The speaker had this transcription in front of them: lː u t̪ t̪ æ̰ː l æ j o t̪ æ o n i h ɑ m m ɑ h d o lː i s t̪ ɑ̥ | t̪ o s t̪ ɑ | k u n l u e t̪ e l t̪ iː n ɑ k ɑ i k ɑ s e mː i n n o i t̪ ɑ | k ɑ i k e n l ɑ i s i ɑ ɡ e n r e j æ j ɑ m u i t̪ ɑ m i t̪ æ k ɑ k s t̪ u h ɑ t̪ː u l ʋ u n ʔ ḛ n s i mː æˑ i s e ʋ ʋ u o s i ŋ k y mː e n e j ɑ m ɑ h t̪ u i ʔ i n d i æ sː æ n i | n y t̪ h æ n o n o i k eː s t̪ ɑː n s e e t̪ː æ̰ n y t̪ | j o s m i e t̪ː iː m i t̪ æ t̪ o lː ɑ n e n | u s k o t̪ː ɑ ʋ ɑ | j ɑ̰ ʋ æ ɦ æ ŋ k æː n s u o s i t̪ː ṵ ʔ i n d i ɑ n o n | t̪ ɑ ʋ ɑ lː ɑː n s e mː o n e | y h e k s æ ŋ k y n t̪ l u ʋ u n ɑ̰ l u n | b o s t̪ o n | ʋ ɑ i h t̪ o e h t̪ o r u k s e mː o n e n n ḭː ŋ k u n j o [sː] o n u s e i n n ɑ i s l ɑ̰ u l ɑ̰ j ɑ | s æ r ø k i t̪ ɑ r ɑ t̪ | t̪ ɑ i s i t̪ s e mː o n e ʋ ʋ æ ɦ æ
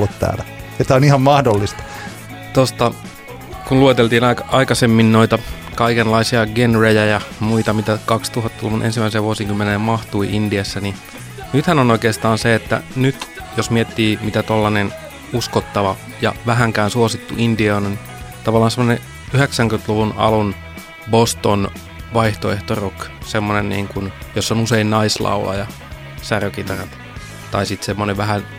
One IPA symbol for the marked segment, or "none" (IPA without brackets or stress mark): sː